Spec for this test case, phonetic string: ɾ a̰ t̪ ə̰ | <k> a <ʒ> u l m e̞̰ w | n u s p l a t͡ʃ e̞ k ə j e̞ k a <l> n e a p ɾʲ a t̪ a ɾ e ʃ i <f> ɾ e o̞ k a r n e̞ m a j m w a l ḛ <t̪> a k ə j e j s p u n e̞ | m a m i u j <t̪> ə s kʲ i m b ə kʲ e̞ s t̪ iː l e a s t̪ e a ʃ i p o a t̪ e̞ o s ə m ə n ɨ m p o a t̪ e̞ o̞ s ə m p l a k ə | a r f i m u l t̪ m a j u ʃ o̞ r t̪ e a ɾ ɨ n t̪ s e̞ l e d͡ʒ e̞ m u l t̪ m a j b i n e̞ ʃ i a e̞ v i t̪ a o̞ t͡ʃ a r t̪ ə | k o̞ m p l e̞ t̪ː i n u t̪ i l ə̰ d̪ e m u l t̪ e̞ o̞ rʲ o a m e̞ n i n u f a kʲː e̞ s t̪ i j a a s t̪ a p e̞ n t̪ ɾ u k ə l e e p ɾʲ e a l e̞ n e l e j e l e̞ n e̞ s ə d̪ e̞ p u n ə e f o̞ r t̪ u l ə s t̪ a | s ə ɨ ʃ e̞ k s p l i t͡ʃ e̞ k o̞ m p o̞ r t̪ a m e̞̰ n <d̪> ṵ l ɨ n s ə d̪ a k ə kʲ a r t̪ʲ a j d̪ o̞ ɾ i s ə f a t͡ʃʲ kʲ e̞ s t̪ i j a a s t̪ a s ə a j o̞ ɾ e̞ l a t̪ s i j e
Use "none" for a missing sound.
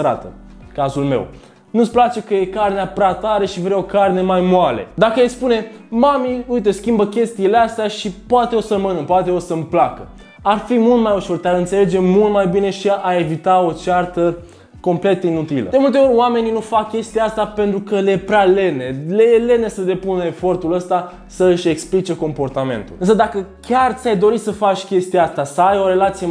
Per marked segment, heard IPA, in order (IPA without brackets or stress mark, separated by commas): k, z, r, v, d̪, t̪, t̪